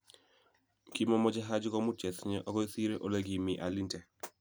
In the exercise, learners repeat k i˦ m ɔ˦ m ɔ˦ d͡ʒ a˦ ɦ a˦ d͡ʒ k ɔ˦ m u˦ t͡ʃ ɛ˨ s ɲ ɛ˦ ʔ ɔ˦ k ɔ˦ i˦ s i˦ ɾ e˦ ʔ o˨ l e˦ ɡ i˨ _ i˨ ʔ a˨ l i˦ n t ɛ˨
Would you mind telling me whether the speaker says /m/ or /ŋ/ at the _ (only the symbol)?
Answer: m